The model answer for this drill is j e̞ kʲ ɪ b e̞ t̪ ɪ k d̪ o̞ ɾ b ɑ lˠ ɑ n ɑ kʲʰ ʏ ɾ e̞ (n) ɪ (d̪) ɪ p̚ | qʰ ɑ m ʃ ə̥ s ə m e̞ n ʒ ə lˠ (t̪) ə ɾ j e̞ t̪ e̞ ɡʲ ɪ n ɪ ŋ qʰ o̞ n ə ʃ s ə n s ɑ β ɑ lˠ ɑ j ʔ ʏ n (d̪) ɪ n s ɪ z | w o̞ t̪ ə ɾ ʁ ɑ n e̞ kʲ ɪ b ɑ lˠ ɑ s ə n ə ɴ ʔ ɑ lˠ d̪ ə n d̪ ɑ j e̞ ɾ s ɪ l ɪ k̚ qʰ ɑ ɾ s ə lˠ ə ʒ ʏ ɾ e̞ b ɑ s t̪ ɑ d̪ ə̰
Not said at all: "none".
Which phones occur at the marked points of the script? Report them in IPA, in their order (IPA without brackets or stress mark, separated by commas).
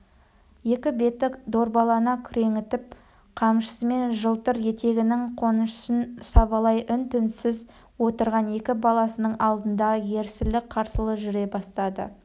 ŋ, t̪, t̪, t̪